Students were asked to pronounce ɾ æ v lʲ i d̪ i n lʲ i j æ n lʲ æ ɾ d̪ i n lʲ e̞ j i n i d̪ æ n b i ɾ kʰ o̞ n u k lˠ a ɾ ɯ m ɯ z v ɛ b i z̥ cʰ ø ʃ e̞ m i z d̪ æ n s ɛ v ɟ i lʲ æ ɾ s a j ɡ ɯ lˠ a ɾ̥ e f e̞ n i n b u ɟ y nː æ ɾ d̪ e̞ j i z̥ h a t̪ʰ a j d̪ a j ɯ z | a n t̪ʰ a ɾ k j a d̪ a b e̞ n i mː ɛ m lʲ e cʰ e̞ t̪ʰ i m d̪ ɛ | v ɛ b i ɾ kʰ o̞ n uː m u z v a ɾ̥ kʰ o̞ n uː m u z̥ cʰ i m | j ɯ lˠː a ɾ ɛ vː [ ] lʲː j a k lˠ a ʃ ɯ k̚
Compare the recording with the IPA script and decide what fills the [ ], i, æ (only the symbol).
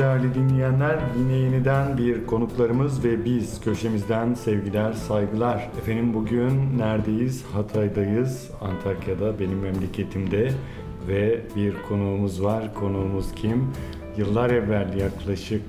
æ